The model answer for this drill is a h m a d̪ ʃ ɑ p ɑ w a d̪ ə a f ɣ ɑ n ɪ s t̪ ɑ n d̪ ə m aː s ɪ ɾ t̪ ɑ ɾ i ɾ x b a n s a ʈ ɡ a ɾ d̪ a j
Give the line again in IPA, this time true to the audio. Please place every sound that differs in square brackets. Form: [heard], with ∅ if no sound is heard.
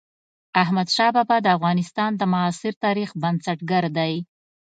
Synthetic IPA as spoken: a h m a d̪ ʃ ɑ [b] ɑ [b] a d̪ ə a f ɣ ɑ n ɪ s t̪ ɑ n d̪ ə m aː s ɪ ɾ t̪ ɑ ɾ i [∅] x b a n s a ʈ ɡ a ɾ d̪ a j

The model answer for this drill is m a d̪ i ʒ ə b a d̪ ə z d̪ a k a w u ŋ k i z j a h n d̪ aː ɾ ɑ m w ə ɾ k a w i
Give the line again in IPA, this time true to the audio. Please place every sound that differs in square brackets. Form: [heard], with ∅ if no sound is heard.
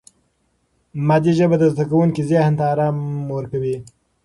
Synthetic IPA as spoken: m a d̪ i ʒ ə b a d̪ ə z d̪ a k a w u ŋ k i z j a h n [t̪] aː ɾ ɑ m w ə ɾ k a w i

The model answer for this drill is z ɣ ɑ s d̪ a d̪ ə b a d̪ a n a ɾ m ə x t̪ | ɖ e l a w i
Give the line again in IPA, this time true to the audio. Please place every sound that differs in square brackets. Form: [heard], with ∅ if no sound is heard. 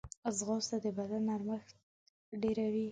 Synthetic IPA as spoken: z ɣ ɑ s [t̪] a d̪ ə b a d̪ a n a ɾ m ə x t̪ | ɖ e [ɾ] a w i

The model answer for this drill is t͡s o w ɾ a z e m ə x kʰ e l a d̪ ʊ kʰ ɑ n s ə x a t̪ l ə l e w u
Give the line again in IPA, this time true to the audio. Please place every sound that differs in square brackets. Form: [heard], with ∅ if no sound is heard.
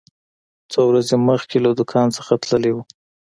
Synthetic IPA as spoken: t͡s o w ɾ a z e m ə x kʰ e l a d̪ ʊ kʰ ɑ n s ə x a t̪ l ə l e w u

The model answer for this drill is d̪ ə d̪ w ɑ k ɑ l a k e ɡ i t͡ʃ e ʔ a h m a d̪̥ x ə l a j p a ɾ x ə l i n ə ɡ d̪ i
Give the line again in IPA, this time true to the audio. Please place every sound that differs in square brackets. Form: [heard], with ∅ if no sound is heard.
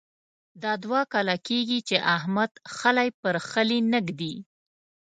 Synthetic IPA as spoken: d̪ [ɑ] d̪ w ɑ k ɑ l a k e ɡ i t͡ʃ e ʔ a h m a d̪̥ x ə l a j p [ə] ɾ x ə l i n ə ɡ d̪ i

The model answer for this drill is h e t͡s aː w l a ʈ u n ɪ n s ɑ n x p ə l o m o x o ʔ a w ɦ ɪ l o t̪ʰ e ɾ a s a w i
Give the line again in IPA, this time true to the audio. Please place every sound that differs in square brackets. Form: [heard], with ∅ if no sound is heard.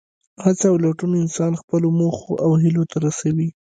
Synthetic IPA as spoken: h [a] t͡s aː w l a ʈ u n ɪ n s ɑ n x p ə l o m o x o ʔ a w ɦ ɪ l o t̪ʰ [a] ɾ a s a w i

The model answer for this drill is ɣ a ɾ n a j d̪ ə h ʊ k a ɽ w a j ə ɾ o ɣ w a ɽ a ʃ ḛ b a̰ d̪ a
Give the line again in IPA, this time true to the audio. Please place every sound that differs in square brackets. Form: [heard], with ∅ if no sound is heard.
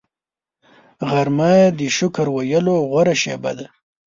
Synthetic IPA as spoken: ɣ a ɾ [m] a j d̪ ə [ʃ] ʊ k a [ɾ] w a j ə [l] o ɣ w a [ɾ] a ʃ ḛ b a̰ d̪ a

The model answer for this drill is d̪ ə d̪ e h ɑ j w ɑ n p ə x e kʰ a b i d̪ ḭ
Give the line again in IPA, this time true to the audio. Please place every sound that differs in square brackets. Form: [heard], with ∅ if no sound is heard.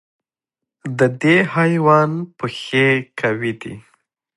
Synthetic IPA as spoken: d̪ ə d̪ e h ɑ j w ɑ n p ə x e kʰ a [w] i d̪ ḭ

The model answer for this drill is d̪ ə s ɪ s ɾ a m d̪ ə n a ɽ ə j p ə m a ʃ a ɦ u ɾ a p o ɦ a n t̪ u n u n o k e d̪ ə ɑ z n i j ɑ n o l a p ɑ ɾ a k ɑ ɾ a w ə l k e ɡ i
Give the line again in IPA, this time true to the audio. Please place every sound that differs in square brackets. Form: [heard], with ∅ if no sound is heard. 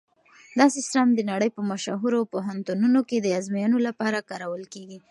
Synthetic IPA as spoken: d̪ [ɑ] s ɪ s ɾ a m d̪ ə n a ɽ ə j p ə m a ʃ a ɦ u ɾ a p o ɦ a n t̪ u n u n o k e d̪ ə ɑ z [m] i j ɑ n o l a p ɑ ɾ a k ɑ ɾ a w ə l k e ɡ i

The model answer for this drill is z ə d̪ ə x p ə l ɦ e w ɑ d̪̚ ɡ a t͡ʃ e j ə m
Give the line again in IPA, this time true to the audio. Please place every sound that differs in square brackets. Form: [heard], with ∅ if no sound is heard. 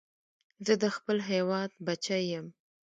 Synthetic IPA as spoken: z ə d̪ ə x p ə l ɦ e w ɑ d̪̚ [b] a t͡ʃ [a] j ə m

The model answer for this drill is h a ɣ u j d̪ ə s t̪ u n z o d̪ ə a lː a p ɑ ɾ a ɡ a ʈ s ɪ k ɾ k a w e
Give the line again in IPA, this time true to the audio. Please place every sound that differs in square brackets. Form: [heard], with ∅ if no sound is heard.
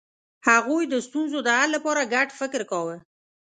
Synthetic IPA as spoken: h a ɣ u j d̪ ə s t̪ u n z o d̪ ə a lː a p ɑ ɾ a ɡ a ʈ [f] ɪ k ɾ k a w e

